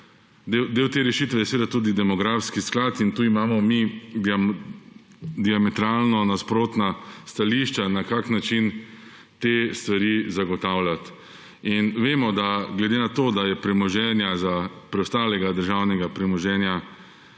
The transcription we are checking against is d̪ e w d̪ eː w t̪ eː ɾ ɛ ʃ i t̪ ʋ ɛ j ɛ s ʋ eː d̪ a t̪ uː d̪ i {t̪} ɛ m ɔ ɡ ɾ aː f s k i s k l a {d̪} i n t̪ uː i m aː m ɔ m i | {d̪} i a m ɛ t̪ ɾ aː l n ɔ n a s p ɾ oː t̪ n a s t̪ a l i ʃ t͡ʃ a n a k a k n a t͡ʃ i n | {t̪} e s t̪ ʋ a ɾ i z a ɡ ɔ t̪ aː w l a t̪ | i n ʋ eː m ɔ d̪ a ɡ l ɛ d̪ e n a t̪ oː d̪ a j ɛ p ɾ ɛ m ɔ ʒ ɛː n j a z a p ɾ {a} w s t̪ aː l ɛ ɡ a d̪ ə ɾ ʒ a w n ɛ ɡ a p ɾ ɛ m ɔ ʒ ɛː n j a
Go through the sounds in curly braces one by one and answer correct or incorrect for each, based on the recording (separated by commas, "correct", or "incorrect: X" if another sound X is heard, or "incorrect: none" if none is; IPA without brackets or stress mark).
incorrect: d̪, incorrect: t̪, correct, correct, incorrect: ɛ